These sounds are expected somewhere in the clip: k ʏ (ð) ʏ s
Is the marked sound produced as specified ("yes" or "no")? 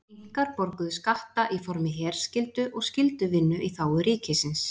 yes